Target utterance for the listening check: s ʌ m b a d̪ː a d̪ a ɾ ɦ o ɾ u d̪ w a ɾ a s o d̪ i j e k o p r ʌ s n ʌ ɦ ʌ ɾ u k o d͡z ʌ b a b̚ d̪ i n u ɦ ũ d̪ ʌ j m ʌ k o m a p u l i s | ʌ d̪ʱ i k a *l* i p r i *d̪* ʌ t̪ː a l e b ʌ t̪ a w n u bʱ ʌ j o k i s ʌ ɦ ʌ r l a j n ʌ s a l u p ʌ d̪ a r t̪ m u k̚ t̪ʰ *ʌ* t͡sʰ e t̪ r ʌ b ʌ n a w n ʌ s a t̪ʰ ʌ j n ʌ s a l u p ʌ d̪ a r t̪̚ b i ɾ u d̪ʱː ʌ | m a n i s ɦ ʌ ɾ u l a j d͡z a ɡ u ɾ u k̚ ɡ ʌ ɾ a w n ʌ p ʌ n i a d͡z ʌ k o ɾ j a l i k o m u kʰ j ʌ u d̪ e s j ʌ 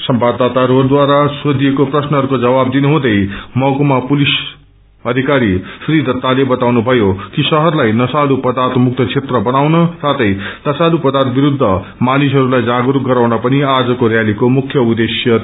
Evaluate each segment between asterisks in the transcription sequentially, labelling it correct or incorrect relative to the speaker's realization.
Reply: incorrect: ɾ, correct, correct

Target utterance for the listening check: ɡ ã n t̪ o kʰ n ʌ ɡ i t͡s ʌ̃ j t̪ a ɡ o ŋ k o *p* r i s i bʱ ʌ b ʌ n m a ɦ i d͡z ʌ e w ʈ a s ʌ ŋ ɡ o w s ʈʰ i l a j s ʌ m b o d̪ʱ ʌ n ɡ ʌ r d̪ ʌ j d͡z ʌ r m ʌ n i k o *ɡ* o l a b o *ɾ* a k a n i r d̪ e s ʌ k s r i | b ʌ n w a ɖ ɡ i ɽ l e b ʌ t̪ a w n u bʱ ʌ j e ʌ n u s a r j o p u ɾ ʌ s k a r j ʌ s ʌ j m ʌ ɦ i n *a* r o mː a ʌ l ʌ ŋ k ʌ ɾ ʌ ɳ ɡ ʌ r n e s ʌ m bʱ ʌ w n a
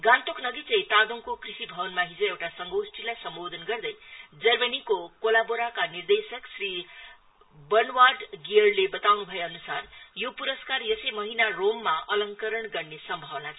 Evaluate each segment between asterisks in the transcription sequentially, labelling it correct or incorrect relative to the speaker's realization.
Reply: incorrect: k, incorrect: k, correct, correct

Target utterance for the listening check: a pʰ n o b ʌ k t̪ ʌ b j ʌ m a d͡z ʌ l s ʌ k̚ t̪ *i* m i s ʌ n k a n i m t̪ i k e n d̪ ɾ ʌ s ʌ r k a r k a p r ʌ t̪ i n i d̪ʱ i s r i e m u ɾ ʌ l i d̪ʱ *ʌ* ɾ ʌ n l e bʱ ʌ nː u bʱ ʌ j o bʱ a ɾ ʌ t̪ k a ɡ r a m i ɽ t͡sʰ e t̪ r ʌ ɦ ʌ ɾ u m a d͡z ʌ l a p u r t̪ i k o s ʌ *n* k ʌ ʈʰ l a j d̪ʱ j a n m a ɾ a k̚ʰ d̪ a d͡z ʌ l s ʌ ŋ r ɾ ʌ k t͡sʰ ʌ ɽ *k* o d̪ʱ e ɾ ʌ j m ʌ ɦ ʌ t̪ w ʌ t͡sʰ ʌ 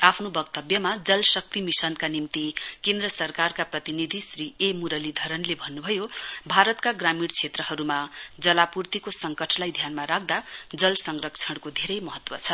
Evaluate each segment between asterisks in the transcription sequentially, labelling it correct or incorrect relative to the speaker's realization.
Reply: correct, correct, incorrect: ŋ, correct

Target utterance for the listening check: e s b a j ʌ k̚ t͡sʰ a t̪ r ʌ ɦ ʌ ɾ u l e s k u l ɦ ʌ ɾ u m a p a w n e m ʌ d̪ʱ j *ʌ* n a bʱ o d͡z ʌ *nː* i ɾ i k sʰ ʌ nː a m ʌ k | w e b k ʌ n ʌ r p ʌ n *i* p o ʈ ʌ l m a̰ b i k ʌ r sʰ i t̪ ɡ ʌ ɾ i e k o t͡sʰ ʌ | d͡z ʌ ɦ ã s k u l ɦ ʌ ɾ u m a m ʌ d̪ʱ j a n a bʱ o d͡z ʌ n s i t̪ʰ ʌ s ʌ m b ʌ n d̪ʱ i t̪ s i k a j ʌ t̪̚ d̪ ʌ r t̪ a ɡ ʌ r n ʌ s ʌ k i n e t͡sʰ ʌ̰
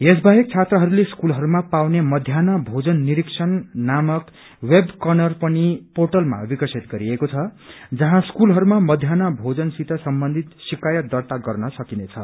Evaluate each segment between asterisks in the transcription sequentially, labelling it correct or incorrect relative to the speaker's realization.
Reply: incorrect: a, correct, correct

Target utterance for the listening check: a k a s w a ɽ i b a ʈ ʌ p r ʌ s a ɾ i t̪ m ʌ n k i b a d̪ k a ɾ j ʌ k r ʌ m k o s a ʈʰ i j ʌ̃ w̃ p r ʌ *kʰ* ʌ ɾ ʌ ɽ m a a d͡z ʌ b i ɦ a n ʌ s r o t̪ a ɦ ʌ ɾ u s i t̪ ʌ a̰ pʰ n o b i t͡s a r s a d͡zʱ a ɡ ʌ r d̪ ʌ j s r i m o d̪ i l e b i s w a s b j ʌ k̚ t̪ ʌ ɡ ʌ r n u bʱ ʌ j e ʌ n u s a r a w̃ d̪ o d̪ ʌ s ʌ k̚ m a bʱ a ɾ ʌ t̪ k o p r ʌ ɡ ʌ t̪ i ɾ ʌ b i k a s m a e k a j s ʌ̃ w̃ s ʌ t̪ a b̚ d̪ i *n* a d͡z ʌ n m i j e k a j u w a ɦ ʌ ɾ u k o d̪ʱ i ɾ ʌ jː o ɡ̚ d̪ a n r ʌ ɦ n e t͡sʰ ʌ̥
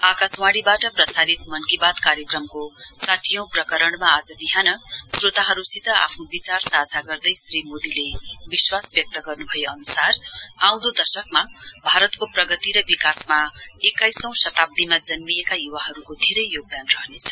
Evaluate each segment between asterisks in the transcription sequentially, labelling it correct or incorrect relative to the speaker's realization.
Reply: incorrect: k, incorrect: m

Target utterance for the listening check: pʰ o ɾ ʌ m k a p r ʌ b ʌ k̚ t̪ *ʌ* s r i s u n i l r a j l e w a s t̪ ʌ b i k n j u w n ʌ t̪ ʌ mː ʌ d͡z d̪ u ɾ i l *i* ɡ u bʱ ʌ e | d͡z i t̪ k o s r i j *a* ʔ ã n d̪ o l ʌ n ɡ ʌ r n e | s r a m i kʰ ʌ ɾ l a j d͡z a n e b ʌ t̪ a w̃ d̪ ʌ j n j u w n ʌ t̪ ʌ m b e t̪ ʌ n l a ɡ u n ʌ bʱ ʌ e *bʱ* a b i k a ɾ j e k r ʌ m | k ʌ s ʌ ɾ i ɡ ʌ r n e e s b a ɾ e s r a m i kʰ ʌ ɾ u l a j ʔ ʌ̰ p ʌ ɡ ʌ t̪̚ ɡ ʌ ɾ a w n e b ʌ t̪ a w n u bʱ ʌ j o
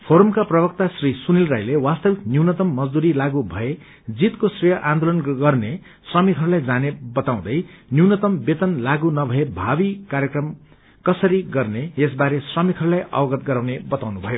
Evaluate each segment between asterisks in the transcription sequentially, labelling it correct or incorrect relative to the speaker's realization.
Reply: incorrect: a, incorrect: a, incorrect: ʌ, correct

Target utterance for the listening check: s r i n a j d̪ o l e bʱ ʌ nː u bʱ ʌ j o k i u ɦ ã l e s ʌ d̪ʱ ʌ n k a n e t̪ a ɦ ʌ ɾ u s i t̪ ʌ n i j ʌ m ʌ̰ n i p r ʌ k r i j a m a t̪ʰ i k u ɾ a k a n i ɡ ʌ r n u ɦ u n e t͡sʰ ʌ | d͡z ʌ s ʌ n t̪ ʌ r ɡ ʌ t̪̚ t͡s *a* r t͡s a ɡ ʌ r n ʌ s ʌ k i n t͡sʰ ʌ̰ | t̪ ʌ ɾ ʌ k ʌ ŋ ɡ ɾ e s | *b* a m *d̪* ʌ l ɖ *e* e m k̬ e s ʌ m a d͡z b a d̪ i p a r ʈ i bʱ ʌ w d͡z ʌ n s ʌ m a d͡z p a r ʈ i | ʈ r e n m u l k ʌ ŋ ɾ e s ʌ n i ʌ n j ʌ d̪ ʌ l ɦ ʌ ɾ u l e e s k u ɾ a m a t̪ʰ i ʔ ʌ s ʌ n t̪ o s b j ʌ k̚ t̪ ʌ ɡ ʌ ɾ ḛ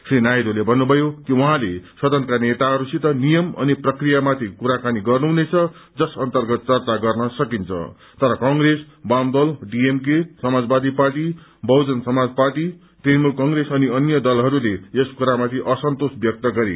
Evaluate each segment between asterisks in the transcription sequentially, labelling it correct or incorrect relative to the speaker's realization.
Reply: incorrect: ʌ, correct, correct, incorrect: i

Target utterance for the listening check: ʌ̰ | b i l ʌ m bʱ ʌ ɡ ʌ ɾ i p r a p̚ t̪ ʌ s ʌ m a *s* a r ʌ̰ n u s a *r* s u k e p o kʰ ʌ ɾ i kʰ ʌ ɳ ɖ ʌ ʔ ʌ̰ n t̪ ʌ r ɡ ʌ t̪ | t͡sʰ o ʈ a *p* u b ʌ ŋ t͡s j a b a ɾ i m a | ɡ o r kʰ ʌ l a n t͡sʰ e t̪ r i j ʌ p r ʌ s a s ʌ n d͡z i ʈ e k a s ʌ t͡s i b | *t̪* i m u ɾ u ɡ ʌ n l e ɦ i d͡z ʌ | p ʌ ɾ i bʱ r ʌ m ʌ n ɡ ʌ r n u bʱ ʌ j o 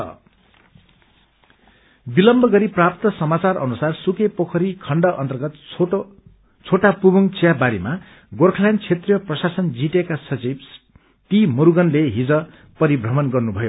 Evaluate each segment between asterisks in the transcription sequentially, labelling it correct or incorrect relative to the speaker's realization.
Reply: incorrect: t͡s, correct, correct, correct

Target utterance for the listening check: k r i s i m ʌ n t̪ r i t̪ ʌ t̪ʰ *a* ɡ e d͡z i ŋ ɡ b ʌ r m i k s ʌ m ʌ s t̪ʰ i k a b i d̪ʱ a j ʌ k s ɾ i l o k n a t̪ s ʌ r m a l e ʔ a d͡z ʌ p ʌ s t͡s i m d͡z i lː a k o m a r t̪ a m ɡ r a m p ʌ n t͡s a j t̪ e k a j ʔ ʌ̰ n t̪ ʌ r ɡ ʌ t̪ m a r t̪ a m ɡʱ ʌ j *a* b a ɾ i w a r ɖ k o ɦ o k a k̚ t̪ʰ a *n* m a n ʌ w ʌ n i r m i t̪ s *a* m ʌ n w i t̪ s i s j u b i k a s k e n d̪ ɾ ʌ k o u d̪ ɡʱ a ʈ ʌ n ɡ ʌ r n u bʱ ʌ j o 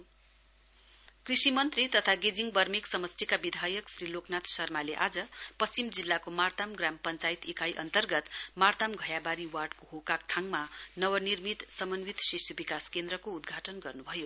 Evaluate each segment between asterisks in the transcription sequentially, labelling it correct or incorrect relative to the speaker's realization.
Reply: correct, correct, incorrect: ŋ, incorrect: ʌ

